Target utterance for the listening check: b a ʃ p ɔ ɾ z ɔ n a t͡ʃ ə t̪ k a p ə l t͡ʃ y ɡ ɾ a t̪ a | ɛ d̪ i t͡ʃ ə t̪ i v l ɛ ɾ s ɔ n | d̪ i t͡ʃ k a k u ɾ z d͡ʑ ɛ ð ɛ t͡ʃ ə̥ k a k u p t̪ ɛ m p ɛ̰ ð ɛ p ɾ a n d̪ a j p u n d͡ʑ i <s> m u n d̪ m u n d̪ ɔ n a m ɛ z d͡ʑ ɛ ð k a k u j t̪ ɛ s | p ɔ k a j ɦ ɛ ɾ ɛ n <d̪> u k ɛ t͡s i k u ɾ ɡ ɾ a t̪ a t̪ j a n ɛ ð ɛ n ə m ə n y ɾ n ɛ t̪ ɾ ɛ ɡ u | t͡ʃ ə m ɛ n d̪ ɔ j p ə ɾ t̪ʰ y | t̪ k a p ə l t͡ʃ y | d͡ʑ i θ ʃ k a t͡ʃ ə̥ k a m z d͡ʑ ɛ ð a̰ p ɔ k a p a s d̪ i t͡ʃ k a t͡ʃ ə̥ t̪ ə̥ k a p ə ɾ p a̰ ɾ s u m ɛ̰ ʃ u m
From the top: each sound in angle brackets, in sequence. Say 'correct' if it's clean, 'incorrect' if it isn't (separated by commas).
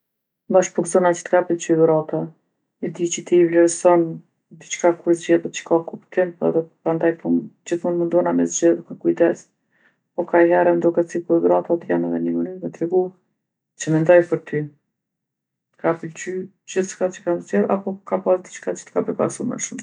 incorrect, correct